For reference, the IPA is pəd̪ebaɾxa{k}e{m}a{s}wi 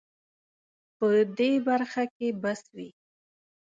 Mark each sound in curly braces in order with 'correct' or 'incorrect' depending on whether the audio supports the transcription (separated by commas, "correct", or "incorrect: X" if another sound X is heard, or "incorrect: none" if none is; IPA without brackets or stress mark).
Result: correct, incorrect: b, correct